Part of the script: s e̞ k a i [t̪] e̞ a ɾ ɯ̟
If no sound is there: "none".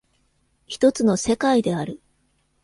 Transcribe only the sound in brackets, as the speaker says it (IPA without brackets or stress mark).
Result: d̪